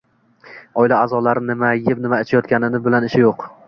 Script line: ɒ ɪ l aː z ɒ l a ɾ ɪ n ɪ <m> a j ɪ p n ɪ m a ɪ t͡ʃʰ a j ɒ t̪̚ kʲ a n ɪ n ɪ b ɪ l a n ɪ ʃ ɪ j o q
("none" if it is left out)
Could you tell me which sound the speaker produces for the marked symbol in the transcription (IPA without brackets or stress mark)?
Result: m